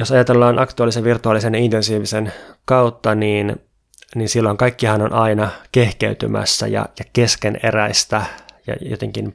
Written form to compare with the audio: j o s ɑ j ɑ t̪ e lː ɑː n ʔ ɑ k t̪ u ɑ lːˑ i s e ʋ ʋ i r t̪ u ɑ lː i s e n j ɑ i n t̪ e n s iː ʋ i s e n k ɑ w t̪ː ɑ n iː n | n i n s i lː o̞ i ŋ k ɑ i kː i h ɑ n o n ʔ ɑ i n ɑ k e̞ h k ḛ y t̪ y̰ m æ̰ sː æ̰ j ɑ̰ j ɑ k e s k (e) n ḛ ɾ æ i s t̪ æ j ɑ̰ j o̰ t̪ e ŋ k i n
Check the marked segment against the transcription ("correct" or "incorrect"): correct